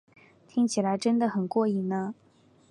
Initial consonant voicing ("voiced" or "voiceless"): voiceless